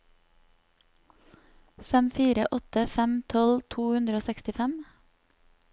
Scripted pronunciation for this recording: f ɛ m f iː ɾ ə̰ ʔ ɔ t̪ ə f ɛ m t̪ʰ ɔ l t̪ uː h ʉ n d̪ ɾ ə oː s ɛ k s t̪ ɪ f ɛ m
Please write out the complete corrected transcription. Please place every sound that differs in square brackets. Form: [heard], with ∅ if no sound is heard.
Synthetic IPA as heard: f ɛ m f iː ɾ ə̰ ʔ ɔ t̪ ə f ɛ m t̪ʰ ɔ l [t̪ʰ] uː h ʉ n d̪ ɾ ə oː s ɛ k s t̪ ɪ f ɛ m